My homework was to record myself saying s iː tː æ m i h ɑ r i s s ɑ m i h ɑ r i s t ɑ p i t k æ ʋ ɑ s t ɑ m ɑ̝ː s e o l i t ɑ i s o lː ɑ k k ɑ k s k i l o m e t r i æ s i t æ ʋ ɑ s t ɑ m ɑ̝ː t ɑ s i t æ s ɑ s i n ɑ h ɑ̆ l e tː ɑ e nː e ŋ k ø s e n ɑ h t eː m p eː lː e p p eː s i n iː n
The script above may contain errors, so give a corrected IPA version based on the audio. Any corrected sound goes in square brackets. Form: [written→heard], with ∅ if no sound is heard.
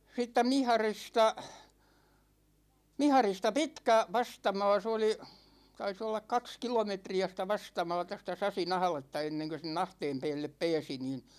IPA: s iː tː æ m i h ɑ r i s [s→t] ɑ m i h ɑ r i s t ɑ p i t k æ ʋ ɑ s t ɑ m ɑ̝ː s e o l i t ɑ i s o lː ɑ k k ɑ k s k i l o m e t r i æ s i t æ ʋ ɑ s t ɑ m ɑ̝ː t ɑ s i t æ s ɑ s i n ɑ h ɑ̆ l e tː ɑ e nː e ŋ k ø s e n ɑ h t eː m p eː lː e p p eː s i n iː n